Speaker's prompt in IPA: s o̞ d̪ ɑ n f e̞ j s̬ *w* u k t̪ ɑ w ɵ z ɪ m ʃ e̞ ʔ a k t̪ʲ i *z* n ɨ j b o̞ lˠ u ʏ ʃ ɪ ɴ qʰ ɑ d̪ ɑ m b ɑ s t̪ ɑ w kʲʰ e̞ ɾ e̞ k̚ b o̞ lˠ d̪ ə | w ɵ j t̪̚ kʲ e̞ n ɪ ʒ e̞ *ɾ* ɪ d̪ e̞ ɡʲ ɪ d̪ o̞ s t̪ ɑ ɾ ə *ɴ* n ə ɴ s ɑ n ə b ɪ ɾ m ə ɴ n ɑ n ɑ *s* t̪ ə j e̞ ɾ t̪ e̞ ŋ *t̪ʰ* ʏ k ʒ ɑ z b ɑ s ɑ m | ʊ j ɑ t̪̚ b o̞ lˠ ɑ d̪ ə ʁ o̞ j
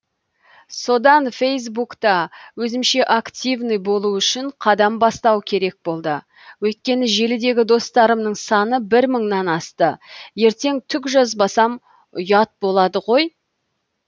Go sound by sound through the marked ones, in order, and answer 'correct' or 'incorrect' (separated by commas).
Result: incorrect, incorrect, incorrect, incorrect, correct, correct